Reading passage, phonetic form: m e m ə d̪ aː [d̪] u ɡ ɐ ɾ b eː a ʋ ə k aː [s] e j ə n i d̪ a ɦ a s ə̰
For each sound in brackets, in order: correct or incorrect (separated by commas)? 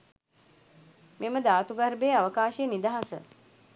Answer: incorrect, incorrect